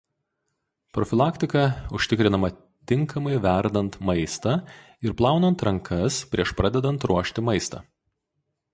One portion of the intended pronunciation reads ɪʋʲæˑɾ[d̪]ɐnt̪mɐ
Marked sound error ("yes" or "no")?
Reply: no